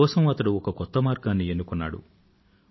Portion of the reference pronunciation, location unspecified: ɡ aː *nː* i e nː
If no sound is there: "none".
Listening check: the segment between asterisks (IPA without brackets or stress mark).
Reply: nː